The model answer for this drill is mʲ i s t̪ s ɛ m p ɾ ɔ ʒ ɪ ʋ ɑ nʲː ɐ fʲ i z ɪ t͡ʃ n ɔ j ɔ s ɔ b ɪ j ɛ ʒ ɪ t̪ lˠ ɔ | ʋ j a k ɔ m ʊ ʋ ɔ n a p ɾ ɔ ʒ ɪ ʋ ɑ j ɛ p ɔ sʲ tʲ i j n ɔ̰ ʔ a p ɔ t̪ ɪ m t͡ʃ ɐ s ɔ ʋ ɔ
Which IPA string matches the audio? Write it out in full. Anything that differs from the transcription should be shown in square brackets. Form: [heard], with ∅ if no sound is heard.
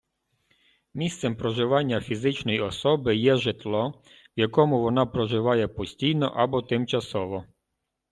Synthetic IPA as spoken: mʲ i s t̪ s ɛ m p ɾ ɔ ʒ ɪ ʋ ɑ nʲː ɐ fʲ i z ɪ t͡ʃ n ɔ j ɔ s ɔ b ɪ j ɛ ʒ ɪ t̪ lˠ ɔ | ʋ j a k ɔ m ʊ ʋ ɔ n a p ɾ ɔ ʒ ɪ ʋ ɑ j ɛ p ɔ sʲ tʲ i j n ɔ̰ ʔ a [b] ɔ t̪ ɪ m t͡ʃ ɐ s ɔ ʋ ɔ

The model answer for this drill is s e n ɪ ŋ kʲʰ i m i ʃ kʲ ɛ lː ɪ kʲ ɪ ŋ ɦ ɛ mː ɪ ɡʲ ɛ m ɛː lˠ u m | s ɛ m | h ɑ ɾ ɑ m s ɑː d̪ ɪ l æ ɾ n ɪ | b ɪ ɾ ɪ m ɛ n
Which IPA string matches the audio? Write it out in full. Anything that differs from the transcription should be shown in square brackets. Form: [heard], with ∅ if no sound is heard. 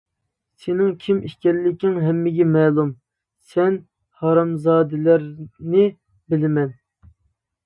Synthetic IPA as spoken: s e n ɪ ŋ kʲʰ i m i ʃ kʲ ɛ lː ɪ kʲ ɪ ŋ ɦ ɛ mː ɪ ɡʲ ɛ m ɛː lˠ u m | s ɛ [n] | h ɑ ɾ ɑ m [z] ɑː d̪ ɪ l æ ɾ n ɪ | b ɪ [l] ɪ m ɛ n

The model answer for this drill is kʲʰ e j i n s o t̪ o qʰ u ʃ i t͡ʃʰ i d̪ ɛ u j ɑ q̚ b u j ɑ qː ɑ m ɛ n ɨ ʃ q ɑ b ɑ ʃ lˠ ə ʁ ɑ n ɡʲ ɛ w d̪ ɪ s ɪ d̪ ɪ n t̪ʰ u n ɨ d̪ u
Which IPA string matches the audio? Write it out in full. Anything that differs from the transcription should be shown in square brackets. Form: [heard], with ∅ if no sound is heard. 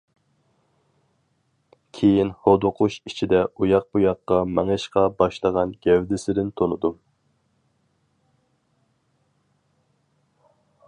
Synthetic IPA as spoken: kʲʰ e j i n [h] o [d̪] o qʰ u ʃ i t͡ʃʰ i d̪ ɛ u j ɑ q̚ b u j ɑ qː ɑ m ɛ [ŋ] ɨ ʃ q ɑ b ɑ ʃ lˠ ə ʁ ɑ n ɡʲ ɛ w d̪ ɪ s ɪ d̪ ɪ n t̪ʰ [o] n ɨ d̪ u

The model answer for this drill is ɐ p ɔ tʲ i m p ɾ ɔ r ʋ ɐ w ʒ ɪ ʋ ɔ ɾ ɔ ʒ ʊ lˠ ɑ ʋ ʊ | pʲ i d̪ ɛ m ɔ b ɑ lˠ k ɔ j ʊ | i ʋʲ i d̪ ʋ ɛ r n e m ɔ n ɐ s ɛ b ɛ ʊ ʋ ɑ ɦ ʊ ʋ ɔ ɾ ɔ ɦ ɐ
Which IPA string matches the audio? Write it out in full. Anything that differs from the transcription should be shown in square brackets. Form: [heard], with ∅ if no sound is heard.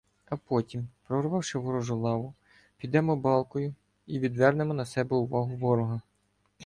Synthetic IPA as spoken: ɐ p ɔ tʲ i m p ɾ ɔ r ʋ [ɑ] w [ʃ] ɪ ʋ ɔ ɾ ɔ ʒ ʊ lˠ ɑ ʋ ʊ | pʲ i d̪ ɛ m ɔ b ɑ lˠ k ɔ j ʊ | i ʋʲ i d̪ ʋ ɛ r n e m ɔ n ɐ s ɛ b ɛ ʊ ʋ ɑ ɦ ʊ ʋ ɔ ɾ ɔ ɦ ɐ

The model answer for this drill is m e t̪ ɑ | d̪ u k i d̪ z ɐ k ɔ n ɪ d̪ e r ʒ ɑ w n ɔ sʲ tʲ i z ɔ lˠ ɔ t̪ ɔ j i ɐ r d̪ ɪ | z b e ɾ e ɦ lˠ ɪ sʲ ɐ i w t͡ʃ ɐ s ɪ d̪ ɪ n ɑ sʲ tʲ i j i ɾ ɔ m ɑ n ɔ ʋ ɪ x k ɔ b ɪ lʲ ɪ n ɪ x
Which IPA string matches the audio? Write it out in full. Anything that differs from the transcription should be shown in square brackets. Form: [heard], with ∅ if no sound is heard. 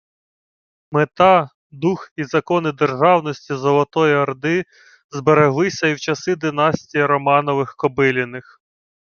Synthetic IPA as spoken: m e t̪ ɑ | d̪ u [x] i [∅] z ɐ k ɔ n ɪ d̪ e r ʒ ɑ w n ɔ sʲ tʲ i z ɔ lˠ ɔ t̪ ɔ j i ɐ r d̪ ɪ | z b e ɾ e ɦ lˠ ɪ sʲ ɐ i w t͡ʃ ɐ s ɪ d̪ ɪ n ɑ sʲ tʲ i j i ɾ ɔ m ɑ n ɔ ʋ ɪ x k ɔ b ɪ lʲ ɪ n ɪ x

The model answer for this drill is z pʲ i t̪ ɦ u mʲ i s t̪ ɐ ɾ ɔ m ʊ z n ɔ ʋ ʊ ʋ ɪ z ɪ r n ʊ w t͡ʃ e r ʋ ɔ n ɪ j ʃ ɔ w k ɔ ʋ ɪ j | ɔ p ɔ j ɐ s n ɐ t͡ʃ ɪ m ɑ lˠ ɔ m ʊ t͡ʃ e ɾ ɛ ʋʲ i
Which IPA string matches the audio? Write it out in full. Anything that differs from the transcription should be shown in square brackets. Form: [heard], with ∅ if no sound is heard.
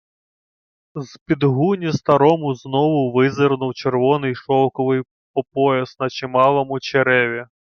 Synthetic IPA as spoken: z pʲ i [d̪] ɦ u [nʲ] i s t̪ ɐ ɾ ɔ m ʊ z n ɔ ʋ ʊ ʋ ɪ z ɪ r n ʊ w t͡ʃ e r ʋ ɔ n ɪ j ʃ ɔ w k ɔ ʋ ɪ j | ɔ p ɔ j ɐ s n ɐ t͡ʃ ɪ m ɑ lˠ ɔ m ʊ t͡ʃ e ɾ ɛ ʋʲ i

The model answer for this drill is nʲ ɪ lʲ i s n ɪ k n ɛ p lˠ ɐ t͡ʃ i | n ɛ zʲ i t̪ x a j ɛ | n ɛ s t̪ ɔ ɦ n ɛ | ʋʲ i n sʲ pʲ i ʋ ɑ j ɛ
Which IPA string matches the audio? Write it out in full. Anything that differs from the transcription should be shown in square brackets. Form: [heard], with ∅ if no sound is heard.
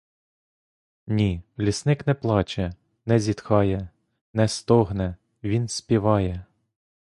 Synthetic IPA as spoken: nʲ [i] lʲ i s n ɪ k n ɛ p lˠ [ɑ] t͡ʃ [ɛ] | n ɛ zʲ i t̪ x [ɑ] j ɛ | n ɛ s t̪ ɔ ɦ n ɛ | ʋʲ i n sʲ pʲ i ʋ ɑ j ɛ

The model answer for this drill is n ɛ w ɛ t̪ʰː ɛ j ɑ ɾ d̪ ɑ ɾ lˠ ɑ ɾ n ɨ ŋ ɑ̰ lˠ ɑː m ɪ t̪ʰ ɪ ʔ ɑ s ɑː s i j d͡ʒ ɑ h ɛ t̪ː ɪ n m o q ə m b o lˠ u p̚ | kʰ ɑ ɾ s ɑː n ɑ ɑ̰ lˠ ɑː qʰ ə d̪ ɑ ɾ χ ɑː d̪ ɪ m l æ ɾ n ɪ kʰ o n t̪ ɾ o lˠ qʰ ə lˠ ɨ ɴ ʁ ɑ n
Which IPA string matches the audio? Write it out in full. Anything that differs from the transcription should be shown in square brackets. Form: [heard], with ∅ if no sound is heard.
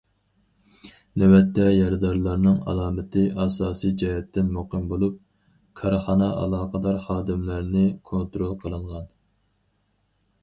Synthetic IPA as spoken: n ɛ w ɛ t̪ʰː ɛ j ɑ ɾ d̪ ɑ ɾ lˠ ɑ ɾ n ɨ ŋ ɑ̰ lˠ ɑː m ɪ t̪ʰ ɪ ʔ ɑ s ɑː s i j d͡ʒ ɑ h ɛ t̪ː ɪ n m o q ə m b o lˠ u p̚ | kʰ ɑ ɾ [χ] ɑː n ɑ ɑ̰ lˠ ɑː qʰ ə d̪ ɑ ɾ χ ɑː d̪ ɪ m l æ ɾ n ɪ kʰ o n t̪ ɾ o lˠ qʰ ə lˠ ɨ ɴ ʁ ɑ n

